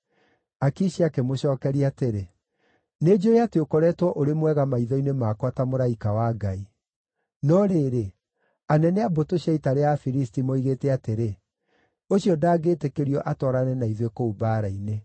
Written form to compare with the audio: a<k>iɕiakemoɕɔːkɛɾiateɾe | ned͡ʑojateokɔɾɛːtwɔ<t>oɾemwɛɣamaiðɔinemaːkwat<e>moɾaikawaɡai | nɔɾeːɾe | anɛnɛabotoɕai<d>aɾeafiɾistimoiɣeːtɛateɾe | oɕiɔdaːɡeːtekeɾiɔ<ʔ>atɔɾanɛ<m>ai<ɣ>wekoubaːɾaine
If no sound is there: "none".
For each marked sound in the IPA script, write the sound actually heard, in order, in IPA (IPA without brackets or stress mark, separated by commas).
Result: k, ʔ, a, t, ʔ, n, ð